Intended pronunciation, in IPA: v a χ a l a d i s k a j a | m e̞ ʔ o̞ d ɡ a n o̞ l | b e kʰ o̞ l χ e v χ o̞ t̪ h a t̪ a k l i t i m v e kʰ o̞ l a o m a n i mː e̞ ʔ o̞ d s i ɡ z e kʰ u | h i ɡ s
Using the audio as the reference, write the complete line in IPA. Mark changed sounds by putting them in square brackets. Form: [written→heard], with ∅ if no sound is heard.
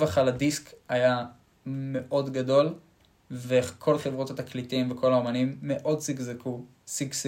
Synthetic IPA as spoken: v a χ a l a d i s k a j a | m e̞ ʔ o̞ d ɡ a [n→d] o̞ l | [b→v] e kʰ o̞ l χ e v [χ→ʁ] o̞ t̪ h a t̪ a k l i t i m v e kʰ o̞ l a o m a n i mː e̞ ʔ o̞ d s i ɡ z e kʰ u | [h→s] i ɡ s